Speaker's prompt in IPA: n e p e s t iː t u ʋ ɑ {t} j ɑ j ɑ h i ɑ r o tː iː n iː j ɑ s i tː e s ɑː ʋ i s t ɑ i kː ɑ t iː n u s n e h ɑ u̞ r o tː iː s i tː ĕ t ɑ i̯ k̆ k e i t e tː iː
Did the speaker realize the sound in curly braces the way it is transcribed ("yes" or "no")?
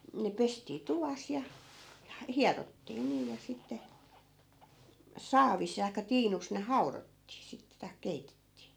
no